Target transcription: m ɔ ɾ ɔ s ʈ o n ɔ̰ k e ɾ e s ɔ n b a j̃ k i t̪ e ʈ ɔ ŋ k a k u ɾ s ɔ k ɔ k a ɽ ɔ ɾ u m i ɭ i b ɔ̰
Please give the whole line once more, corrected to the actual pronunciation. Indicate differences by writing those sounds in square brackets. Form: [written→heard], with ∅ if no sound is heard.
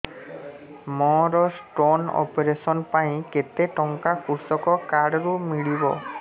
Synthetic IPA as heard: m ɔ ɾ ɔ s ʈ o n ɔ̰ [k→p] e ɾ e s ɔ n [b→p] a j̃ k [i→e] t̪ e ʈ ɔ ŋ k a k u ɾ s ɔ k ɔ k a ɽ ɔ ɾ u m i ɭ i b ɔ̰

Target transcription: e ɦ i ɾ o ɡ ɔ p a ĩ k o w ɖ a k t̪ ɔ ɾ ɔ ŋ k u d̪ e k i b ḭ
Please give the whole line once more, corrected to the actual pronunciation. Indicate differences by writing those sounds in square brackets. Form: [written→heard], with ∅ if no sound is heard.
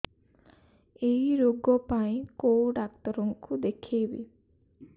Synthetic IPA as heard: e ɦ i ɾ o ɡ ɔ p a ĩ k o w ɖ a k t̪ ɔ ɾ ɔ ŋ k u d̪ e [k→kʰ] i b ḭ

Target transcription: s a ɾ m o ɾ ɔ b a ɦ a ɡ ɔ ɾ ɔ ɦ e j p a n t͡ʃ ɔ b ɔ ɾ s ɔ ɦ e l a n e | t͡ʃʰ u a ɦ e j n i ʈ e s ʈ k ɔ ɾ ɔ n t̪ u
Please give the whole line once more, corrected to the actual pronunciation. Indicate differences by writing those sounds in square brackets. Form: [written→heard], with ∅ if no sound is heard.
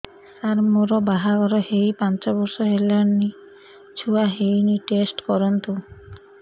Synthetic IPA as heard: s a ɾ m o ɾ ɔ b a ɦ a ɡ ɔ ɾ ɔ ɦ e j p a n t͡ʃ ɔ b ɔ ɾ s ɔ ɦ e l a n [e→i] | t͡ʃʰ u a ɦ e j n i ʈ e s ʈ k ɔ ɾ ɔ n t̪ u

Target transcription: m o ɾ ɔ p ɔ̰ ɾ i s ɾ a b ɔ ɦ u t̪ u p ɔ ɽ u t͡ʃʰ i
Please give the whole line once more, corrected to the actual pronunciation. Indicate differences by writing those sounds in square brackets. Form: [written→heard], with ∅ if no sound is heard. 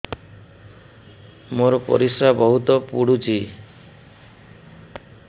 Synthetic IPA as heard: m o ɾ ɔ p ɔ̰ ɾ i s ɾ a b ɔ ɦ u t̪ [u→ɔ] p [ɔ→u] ɽ u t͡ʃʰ i

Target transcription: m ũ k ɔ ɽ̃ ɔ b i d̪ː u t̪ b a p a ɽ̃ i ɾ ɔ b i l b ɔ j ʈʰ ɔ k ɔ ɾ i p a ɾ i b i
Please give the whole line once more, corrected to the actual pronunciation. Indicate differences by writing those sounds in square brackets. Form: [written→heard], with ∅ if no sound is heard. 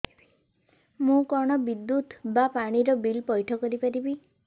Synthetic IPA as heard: m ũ k ɔ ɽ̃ ɔ b i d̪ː u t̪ b a p a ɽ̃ i ɾ ɔ b i l [b→p] ɔ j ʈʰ ɔ k ɔ ɾ i p a ɾ i b i

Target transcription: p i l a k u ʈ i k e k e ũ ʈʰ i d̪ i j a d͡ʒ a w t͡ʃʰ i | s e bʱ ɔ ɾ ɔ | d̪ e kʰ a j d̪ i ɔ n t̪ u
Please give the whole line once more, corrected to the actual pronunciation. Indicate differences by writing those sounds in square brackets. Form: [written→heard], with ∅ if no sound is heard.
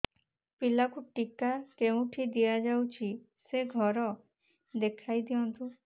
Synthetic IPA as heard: p i l a k u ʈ i k [e→a] k e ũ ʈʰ i d̪ i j a d͡ʒ a w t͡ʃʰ i | s e [bʱ→ɡʱ] ɔ ɾ ɔ | d̪ e kʰ a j d̪ i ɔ n t̪ u

